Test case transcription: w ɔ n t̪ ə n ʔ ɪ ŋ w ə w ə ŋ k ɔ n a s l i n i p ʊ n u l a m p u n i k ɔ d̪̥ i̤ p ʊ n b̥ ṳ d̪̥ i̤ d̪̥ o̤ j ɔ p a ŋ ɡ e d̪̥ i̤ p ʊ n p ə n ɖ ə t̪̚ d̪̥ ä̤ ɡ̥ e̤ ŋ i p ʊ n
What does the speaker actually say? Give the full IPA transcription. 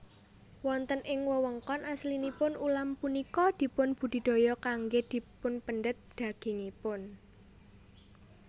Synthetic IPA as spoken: w ɔ n t̪ ə n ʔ ɪ ŋ w ə w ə ŋ k ɔ n a s l i n i p ʊ n u l a m p u n i k ɔ d̪̥ i̤ p ʊ n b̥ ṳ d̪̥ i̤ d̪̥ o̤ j ɔ k a ŋ ɡ e d̪̥ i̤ p ʊ n p ə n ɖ ə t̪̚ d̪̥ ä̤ ɡ̥ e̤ ŋ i p ʊ n